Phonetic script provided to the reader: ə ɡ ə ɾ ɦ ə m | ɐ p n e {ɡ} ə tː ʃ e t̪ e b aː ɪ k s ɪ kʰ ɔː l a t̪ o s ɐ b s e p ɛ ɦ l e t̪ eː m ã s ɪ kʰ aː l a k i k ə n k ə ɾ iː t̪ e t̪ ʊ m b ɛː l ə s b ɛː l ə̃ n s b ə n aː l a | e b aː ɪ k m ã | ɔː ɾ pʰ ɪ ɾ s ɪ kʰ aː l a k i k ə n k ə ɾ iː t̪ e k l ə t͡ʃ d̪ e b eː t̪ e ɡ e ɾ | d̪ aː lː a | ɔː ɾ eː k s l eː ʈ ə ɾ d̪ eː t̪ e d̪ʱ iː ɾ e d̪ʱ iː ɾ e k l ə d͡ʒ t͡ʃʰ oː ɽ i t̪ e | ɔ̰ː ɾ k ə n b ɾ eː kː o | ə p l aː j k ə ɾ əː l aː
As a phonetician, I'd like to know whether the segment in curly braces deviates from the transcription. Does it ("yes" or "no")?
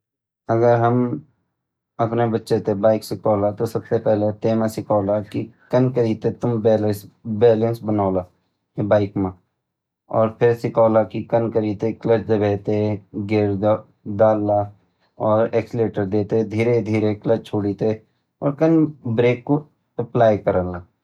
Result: yes